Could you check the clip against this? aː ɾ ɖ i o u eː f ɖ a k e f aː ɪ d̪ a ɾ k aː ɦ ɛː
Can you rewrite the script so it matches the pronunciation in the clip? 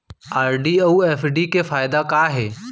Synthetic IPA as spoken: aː ɾ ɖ i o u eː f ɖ i k e f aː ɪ d̪ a k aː ɦ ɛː